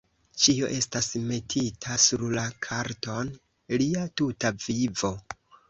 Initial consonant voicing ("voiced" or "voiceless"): voiceless